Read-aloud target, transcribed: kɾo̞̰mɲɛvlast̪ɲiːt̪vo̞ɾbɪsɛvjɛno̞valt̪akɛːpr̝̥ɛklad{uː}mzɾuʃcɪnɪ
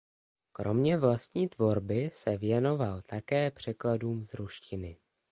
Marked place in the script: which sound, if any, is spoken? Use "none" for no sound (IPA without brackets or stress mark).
uː